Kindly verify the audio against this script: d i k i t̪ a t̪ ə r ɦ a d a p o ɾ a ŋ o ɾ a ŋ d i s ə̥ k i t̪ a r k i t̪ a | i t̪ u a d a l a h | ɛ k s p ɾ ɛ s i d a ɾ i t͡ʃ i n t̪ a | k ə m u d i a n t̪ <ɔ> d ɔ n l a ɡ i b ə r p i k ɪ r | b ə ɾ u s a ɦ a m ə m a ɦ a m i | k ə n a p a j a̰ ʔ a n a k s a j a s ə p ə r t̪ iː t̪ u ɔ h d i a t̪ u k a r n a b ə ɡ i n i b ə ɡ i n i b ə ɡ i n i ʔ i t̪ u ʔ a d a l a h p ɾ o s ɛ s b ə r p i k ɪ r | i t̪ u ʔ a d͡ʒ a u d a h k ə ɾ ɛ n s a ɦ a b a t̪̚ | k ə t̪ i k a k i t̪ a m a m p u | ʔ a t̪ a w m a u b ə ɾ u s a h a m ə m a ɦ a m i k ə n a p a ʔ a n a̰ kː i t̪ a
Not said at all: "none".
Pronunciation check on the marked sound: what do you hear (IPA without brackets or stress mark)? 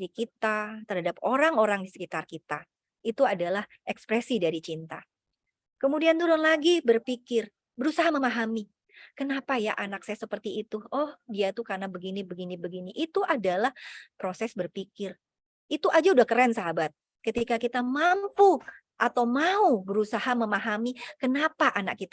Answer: u